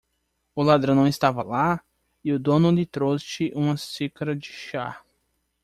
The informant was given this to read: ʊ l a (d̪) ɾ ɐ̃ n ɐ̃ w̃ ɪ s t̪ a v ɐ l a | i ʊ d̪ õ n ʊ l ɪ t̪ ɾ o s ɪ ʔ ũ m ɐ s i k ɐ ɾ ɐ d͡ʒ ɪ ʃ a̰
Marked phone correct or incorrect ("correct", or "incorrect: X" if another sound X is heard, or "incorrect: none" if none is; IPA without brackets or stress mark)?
correct